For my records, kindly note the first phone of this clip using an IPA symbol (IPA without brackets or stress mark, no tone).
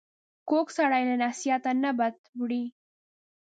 k